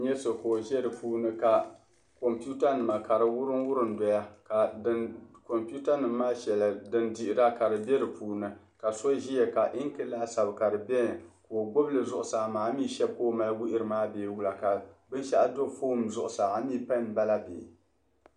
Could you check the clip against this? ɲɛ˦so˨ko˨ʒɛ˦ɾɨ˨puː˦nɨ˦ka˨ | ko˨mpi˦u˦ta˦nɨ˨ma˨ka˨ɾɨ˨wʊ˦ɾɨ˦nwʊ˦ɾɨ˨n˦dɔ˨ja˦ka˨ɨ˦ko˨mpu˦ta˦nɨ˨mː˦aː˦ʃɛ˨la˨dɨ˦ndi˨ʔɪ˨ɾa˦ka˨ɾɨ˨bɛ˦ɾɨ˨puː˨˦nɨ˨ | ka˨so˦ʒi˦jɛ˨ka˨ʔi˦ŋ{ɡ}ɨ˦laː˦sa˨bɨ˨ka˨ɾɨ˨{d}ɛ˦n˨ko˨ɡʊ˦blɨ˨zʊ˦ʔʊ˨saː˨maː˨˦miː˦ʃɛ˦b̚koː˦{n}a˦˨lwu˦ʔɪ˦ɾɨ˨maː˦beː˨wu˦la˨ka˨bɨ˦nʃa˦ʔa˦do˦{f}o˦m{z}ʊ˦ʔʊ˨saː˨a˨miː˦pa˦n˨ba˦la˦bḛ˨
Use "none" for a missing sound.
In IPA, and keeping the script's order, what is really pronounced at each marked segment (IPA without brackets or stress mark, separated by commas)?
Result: k, b, m, f, z